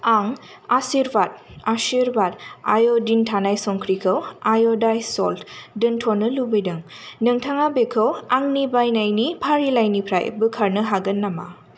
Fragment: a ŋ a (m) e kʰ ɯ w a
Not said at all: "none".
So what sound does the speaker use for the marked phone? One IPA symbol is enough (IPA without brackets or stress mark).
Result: b